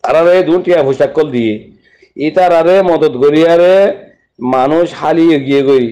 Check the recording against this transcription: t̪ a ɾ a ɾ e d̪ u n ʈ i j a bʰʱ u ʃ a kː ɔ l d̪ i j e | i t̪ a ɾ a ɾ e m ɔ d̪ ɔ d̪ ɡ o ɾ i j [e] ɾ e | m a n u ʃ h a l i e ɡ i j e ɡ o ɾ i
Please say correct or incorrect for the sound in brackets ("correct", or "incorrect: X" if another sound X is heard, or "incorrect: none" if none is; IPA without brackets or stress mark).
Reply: incorrect: a